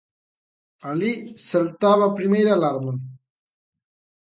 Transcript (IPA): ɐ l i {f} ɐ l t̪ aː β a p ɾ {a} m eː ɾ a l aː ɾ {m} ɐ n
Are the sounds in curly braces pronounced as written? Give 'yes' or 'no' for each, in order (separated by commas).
no, no, yes